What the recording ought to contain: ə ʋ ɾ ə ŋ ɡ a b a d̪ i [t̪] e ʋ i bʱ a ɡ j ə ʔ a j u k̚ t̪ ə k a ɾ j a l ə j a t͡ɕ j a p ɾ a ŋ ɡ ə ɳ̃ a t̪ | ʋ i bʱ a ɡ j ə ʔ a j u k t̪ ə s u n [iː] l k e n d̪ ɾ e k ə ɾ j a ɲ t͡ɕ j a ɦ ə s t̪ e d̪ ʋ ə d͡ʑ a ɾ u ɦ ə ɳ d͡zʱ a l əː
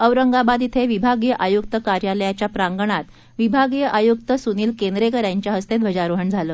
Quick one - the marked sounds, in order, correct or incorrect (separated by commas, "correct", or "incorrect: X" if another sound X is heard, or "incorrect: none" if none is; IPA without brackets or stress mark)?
incorrect: t̪ʰ, correct